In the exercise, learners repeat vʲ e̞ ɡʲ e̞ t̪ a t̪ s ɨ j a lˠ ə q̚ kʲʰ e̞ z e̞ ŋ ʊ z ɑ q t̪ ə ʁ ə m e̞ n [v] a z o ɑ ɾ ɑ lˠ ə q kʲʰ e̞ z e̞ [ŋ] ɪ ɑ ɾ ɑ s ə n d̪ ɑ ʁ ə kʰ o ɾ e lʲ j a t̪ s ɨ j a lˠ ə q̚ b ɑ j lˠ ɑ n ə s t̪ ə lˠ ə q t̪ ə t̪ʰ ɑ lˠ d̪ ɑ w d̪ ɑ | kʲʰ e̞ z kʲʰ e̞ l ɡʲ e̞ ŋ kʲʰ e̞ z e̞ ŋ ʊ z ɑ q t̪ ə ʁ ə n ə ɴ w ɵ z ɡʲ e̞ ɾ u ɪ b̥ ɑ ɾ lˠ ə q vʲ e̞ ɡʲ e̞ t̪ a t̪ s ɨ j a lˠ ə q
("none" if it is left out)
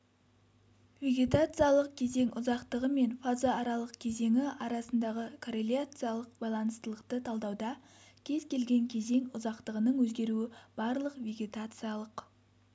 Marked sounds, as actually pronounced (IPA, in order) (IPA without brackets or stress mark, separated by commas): f, ŋ